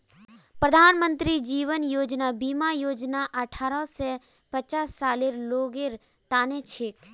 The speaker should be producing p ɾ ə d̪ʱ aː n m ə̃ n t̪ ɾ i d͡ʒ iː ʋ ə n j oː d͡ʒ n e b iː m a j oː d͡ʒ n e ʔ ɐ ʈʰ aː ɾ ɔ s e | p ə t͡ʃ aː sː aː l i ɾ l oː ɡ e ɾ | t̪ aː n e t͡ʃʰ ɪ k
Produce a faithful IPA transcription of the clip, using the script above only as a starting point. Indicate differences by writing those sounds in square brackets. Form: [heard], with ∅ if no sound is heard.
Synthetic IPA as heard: p ɾ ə d̪ʱ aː n m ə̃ n t̪ ɾ i d͡ʒ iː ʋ ə n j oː d͡ʒ n [a] b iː m a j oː d͡ʒ n [a] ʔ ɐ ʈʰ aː ɾ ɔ s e | p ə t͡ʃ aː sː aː l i ɾ l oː ɡ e ɾ | t̪ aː n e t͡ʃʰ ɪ k